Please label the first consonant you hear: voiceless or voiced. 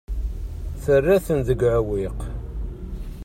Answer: voiceless